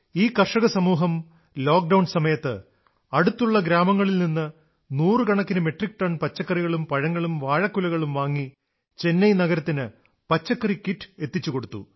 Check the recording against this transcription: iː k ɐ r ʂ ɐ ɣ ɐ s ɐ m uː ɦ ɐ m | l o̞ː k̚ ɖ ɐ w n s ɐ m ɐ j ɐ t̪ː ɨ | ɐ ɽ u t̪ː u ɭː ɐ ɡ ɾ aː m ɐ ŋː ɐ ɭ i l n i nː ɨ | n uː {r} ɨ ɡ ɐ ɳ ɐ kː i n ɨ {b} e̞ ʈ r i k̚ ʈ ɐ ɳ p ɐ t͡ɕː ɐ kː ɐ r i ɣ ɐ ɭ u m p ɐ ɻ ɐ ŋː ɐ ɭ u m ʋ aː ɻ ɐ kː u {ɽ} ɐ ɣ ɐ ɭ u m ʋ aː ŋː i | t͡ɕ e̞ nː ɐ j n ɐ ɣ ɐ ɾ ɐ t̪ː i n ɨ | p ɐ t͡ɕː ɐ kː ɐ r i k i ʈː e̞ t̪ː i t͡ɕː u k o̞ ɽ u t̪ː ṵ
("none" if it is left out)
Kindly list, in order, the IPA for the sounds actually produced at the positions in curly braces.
r, m, l

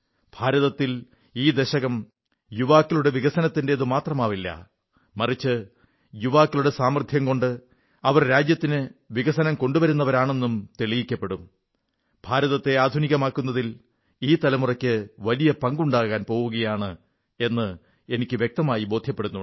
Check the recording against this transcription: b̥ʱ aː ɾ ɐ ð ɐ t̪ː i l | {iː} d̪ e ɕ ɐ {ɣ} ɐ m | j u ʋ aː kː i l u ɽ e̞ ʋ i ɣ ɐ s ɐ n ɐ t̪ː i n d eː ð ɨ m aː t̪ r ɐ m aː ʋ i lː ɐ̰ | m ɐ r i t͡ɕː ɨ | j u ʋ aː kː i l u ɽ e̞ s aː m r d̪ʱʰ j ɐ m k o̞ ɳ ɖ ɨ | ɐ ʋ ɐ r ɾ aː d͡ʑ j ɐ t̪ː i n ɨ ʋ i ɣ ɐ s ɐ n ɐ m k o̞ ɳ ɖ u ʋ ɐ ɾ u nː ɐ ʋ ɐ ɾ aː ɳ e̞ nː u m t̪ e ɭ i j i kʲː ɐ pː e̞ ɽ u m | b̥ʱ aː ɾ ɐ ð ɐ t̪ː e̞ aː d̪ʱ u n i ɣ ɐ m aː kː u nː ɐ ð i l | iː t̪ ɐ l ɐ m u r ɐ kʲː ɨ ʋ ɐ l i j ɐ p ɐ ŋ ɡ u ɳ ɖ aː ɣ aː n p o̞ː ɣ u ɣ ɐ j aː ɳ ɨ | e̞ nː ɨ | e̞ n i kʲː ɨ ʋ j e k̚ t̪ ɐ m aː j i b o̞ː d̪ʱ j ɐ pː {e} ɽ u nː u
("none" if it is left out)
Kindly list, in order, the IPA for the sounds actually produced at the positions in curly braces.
iː, ɣ, e

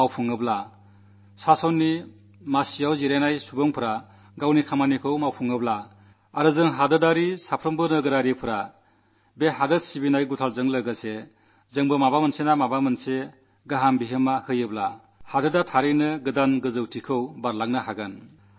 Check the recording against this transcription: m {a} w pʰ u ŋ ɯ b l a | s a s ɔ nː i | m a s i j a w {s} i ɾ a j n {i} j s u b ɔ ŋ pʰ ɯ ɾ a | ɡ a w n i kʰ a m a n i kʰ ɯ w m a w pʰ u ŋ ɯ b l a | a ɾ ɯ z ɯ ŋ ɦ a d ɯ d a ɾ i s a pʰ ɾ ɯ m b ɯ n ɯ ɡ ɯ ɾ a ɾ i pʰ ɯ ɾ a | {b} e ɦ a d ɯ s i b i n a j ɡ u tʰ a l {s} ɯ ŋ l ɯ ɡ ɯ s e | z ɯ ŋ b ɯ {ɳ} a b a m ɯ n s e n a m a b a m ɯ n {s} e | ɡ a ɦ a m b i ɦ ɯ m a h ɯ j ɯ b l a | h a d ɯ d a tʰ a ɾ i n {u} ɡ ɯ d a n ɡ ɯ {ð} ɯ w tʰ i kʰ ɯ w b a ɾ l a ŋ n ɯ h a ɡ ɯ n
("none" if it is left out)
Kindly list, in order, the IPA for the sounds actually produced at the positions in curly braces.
a, z, a, b, z, m, s, ɯ, z

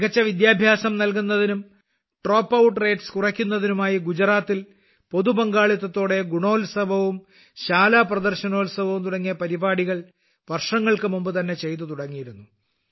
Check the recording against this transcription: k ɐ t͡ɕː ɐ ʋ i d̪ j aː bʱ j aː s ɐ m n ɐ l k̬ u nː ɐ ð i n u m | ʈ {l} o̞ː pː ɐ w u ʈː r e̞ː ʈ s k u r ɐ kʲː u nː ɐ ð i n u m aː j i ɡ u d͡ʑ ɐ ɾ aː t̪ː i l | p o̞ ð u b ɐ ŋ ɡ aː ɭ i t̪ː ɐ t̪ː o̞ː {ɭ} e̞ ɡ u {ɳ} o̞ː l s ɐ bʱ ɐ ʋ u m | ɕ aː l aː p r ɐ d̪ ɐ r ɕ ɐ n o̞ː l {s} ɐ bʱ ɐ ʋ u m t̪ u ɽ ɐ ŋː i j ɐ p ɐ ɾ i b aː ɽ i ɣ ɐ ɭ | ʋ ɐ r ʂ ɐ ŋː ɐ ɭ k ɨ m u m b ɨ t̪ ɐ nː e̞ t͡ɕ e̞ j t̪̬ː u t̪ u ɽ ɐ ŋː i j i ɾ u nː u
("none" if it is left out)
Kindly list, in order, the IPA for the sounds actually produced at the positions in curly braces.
r, ɽ, ɳ, s

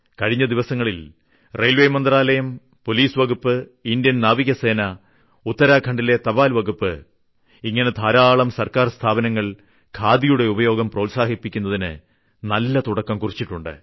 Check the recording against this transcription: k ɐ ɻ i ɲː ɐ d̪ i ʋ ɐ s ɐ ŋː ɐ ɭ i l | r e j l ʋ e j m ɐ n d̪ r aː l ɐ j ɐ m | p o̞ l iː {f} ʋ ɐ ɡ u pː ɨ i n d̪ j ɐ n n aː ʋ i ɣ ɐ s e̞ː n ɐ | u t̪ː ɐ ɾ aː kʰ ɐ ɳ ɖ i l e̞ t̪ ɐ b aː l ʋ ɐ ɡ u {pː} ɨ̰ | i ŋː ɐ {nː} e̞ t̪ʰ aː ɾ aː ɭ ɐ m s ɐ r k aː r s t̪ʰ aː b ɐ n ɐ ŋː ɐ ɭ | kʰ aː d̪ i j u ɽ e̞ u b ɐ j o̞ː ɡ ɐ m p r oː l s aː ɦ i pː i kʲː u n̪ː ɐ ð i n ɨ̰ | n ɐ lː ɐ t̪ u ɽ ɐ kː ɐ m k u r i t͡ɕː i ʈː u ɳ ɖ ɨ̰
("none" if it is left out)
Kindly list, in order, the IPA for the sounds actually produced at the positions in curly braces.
s, pː, n

